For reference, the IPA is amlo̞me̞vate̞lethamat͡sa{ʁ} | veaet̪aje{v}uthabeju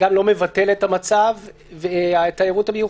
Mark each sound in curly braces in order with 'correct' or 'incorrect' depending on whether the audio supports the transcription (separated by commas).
incorrect, incorrect